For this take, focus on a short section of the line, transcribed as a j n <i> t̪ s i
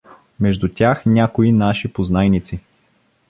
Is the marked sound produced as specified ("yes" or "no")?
yes